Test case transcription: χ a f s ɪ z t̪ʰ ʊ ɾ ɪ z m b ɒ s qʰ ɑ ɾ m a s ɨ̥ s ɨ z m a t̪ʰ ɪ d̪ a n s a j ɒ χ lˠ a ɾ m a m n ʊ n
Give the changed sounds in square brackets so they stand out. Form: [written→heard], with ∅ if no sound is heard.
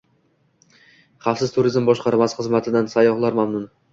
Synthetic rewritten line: χ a f s ɪ z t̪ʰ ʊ ɾ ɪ z m b ɒ [s→ʃ] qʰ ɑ ɾ m a s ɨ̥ [s→χ] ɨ z m a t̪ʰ ɪ d̪ a n s a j ɒ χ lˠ a ɾ m a m n ʊ n